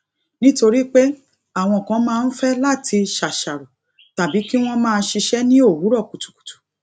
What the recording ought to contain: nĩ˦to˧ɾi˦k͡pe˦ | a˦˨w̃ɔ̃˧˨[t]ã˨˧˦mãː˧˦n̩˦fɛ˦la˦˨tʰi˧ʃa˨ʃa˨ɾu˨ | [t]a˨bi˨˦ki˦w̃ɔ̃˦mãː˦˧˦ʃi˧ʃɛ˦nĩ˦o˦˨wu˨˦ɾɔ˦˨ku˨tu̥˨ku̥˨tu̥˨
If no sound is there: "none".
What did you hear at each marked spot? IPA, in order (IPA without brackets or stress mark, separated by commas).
k, t